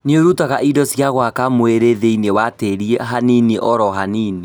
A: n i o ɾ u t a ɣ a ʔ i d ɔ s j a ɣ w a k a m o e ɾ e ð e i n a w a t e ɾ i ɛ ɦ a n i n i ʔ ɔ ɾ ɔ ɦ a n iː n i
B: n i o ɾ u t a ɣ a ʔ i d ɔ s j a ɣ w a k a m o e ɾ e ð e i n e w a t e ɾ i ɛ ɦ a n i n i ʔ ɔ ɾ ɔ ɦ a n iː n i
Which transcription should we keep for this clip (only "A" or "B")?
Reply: B